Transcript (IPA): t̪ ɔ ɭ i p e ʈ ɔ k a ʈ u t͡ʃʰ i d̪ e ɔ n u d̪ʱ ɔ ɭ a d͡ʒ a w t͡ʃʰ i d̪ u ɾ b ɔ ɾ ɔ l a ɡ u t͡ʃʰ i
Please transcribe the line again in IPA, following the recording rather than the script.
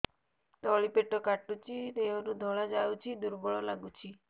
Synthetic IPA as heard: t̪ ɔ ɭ i p e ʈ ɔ k a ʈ u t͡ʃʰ i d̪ e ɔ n u d̪ʱ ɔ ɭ a d͡ʒ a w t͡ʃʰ i d̪ u ɾ b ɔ ɭ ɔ l a ɡ u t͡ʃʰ i